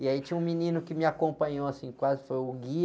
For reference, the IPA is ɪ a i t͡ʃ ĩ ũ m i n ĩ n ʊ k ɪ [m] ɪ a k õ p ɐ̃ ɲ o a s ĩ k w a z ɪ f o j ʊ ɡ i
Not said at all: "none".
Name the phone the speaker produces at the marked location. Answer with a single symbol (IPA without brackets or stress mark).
m